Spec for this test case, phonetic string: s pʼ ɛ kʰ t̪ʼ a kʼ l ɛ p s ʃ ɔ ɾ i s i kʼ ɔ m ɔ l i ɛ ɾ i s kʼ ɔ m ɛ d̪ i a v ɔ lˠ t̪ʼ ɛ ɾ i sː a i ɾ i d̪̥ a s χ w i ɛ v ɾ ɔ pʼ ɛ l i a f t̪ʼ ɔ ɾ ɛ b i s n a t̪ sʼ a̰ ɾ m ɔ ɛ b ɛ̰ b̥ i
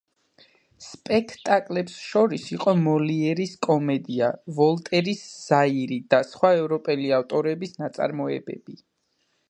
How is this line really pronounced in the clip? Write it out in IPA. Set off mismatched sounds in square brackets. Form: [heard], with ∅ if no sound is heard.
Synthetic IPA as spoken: s pʼ ɛ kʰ t̪ʼ a kʼ l ɛ p s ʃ ɔ ɾ i s i [qʼ] ɔ m ɔ l i ɛ ɾ i s kʼ ɔ m ɛ d̪ i a v ɔ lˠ t̪ʼ ɛ ɾ i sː a i ɾ i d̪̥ a s χ w [a] ɛ v ɾ ɔ pʼ ɛ l i a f t̪ʼ ɔ ɾ ɛ b i s n a t̪ sʼ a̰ ɾ m ɔ ɛ b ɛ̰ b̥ i